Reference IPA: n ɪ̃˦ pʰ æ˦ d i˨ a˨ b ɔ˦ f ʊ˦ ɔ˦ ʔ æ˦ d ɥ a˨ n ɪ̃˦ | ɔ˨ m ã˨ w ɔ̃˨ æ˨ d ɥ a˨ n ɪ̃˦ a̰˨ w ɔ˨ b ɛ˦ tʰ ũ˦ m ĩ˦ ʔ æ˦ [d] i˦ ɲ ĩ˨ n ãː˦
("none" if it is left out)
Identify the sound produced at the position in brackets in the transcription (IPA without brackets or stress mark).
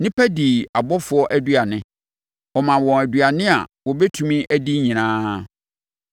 d